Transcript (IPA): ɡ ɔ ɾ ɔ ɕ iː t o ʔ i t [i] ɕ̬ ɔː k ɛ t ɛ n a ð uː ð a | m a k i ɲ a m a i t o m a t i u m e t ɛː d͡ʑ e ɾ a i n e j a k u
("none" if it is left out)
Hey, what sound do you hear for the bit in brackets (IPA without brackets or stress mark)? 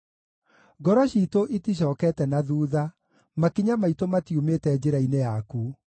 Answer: i